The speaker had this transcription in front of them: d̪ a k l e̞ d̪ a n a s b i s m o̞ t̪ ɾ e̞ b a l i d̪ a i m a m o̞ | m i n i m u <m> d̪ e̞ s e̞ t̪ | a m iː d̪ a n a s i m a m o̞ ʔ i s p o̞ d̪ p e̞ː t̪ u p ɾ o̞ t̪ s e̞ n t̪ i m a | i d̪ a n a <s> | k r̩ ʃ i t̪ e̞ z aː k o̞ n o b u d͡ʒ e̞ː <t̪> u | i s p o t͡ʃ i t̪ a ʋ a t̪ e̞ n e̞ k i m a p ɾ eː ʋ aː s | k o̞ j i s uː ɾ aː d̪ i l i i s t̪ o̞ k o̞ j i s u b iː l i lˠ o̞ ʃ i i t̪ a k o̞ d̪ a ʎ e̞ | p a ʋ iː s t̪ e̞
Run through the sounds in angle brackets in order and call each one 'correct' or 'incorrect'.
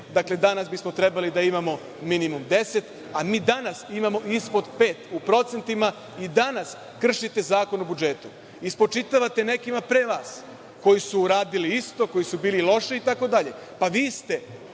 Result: correct, correct, correct

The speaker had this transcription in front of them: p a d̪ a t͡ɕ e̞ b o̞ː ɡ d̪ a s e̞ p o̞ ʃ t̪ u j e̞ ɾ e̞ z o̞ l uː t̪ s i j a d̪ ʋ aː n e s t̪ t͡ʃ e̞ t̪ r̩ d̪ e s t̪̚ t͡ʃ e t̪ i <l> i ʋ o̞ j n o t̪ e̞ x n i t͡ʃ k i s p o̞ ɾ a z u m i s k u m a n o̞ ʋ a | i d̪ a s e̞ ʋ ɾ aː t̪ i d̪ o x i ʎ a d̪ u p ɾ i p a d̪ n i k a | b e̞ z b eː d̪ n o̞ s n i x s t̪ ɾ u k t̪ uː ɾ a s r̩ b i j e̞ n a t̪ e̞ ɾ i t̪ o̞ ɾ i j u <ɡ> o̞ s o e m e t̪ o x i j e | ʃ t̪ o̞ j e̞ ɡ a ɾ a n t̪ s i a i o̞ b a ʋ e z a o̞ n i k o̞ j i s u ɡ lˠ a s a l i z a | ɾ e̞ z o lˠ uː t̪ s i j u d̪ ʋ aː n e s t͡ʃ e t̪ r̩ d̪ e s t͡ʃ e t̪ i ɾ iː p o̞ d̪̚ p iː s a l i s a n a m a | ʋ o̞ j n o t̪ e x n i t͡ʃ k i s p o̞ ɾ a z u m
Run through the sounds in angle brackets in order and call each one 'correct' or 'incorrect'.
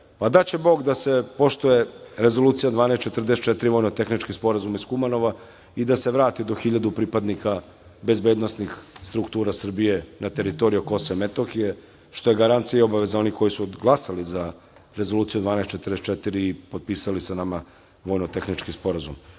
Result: incorrect: ɾ, incorrect: k

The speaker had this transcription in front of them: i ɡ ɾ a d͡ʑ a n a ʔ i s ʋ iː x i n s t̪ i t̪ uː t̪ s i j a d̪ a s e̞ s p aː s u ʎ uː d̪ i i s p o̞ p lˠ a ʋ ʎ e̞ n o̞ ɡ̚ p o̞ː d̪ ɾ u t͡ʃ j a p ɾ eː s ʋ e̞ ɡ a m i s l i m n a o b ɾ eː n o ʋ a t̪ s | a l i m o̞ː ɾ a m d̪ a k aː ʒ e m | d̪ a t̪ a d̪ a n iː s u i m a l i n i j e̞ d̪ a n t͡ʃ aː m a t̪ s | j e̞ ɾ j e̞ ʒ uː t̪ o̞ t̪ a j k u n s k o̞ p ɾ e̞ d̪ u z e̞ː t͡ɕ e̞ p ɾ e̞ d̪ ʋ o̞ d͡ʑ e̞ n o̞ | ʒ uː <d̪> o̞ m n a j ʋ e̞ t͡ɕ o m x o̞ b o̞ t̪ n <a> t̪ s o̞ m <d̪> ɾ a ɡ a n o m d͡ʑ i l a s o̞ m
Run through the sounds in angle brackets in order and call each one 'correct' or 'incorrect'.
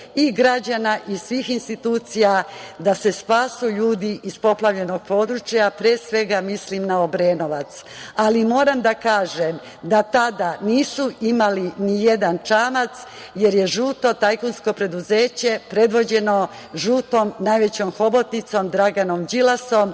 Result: incorrect: t̪, incorrect: i, correct

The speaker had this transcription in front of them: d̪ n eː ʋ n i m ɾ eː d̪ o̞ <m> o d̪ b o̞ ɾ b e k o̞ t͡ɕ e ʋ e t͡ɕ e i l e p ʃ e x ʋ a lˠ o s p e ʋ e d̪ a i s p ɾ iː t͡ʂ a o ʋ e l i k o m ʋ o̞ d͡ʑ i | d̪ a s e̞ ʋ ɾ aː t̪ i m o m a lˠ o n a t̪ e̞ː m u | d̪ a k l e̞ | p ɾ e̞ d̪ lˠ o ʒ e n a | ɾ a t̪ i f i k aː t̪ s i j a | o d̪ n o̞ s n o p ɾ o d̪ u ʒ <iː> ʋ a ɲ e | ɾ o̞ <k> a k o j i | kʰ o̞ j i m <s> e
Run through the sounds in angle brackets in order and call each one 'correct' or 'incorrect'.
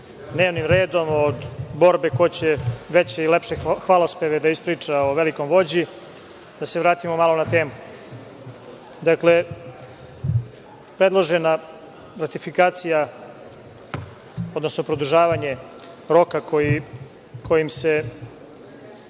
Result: correct, incorrect: aː, correct, correct

